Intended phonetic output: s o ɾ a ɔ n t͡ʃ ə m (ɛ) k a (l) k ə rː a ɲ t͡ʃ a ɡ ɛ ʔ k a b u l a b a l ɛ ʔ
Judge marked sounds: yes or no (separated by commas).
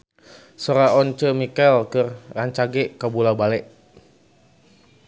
no, yes